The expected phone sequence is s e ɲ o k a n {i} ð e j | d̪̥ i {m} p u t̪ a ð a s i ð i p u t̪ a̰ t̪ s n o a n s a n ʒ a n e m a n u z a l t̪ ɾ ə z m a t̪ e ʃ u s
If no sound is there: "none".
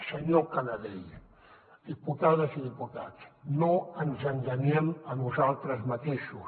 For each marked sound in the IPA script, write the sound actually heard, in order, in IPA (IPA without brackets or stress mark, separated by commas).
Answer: a, none